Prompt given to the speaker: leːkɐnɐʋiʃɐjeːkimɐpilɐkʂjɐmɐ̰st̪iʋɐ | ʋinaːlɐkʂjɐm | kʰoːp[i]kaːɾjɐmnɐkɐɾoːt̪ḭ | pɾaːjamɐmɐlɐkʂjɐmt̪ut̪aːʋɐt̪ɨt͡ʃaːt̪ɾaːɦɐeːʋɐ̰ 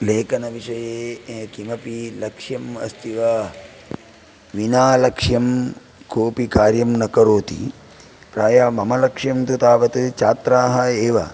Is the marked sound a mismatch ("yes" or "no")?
no